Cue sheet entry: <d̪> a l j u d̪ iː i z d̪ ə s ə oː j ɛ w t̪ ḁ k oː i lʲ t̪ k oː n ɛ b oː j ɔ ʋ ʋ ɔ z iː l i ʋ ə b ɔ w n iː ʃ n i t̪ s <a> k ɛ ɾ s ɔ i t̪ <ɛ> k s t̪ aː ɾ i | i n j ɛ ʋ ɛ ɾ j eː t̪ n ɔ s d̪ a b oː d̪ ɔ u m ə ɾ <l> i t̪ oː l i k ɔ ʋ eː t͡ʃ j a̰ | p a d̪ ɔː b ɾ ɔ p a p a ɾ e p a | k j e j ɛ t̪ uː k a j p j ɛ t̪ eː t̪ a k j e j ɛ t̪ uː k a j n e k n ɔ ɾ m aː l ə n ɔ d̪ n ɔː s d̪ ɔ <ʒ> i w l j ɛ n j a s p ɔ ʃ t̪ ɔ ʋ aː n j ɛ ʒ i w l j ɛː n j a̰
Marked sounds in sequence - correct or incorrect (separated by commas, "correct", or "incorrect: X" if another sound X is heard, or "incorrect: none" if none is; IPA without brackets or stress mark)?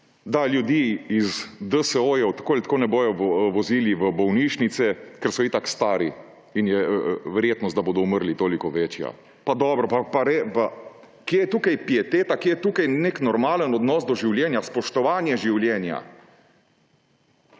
correct, incorrect: ɛ, incorrect: a, correct, correct